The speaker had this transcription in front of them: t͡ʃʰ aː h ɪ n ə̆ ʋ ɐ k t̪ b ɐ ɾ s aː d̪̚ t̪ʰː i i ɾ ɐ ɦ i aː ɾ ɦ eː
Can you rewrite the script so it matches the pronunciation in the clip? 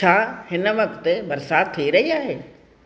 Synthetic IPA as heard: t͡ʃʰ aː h ɪ n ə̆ ʋ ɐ k t̪ b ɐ ɾ s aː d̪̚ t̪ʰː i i ɾ ɐ ɦ i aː ɦ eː